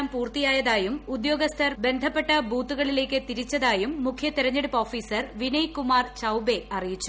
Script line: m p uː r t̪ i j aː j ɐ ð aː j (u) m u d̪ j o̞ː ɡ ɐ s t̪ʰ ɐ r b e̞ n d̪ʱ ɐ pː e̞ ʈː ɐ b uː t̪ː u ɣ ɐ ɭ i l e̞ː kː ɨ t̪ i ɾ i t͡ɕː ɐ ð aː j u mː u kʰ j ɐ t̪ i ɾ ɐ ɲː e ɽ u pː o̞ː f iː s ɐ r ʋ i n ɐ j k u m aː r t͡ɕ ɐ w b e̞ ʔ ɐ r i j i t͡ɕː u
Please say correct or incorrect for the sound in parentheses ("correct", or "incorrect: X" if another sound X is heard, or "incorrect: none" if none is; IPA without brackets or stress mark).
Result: correct